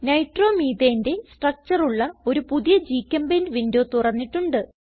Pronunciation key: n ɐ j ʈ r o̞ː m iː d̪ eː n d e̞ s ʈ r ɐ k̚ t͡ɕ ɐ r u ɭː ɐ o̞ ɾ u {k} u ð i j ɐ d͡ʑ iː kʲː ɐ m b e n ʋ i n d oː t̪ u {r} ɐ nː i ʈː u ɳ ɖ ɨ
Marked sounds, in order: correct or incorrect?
incorrect: p, correct

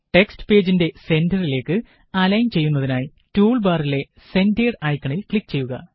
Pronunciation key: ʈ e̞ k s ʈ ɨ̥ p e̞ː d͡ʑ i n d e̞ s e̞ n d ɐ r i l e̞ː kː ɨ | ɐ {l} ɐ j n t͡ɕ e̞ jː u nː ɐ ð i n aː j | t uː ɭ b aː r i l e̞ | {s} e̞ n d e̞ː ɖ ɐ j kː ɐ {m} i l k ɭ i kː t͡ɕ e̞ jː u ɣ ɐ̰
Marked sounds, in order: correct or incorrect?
correct, correct, incorrect: ɳ

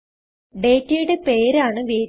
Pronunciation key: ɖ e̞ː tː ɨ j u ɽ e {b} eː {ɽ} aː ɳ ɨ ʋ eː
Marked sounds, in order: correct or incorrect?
incorrect: p, incorrect: ɾ

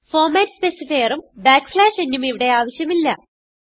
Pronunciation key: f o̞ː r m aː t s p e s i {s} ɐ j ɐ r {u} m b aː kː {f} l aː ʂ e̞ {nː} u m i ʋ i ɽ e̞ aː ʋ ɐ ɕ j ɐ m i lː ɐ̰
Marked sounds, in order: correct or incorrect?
incorrect: f, correct, correct, correct

